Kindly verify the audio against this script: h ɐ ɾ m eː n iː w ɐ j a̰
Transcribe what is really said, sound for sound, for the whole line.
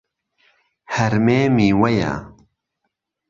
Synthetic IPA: h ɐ ɾ m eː m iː w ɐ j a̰